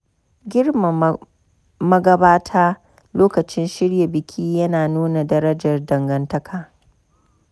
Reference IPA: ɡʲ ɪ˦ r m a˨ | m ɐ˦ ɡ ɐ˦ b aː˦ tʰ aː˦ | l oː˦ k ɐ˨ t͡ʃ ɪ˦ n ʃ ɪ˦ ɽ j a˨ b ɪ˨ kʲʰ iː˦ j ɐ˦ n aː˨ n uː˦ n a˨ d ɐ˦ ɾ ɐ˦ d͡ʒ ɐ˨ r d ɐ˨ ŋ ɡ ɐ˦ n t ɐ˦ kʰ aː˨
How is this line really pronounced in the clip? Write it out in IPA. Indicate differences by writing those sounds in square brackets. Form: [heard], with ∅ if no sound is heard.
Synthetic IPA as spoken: ɡʲ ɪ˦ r m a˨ | m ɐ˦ ɡ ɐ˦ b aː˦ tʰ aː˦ | l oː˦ k ɐ˨ t͡ʃ ɪ˦ n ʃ ɪ˦ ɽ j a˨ b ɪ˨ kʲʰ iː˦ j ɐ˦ n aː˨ n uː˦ n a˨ d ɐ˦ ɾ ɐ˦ d͡ʒ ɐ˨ r d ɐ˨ ŋ ɡ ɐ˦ n t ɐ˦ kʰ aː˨